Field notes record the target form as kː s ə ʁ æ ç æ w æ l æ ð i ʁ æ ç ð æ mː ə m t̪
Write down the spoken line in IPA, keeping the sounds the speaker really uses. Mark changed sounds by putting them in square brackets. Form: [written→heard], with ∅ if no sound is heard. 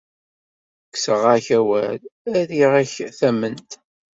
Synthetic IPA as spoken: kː s ə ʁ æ ç æ w æ l æ ð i ʁ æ ç [ð→θ] æ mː ə [m→n] t̪